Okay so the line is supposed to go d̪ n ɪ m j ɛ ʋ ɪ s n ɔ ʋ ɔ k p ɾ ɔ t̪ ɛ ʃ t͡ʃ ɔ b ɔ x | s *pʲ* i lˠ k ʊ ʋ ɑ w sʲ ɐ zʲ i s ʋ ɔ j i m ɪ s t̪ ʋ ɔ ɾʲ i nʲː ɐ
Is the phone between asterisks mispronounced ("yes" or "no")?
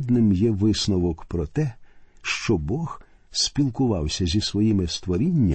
no